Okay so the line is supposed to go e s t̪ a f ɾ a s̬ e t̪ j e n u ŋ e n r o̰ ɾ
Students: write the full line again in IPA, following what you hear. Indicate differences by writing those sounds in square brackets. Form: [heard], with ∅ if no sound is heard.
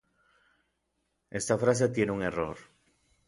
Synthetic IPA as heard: e s t̪ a f ɾ a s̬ e t̪ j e n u ŋ e [∅] r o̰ ɾ